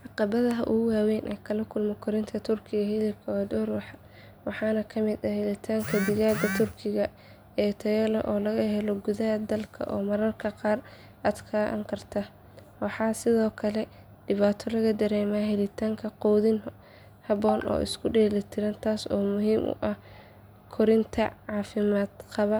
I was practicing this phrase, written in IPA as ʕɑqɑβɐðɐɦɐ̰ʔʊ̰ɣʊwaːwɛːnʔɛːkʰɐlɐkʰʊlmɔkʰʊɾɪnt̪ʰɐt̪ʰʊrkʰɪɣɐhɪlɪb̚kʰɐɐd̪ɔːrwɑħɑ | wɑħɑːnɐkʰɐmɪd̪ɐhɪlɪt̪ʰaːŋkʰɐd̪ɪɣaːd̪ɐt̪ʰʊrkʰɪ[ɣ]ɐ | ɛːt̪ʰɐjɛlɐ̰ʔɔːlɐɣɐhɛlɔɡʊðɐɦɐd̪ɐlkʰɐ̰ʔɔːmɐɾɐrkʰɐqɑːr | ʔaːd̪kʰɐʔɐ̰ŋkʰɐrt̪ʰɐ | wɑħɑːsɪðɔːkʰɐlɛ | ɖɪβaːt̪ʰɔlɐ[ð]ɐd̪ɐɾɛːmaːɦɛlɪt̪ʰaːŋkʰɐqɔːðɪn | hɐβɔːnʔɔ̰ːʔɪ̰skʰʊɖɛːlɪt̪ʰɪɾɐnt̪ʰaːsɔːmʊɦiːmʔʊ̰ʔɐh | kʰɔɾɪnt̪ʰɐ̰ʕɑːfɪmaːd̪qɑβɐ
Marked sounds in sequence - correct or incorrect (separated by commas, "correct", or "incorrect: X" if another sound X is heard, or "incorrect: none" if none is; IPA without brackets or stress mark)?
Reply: correct, incorrect: ɣ